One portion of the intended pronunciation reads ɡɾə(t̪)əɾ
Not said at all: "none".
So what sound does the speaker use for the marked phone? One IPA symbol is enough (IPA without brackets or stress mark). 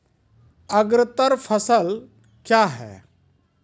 t̪